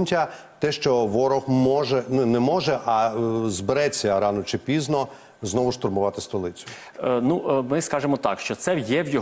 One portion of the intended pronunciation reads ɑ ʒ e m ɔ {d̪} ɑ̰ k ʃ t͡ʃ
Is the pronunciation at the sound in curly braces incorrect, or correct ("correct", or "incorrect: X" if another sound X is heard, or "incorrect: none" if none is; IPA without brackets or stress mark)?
incorrect: t̪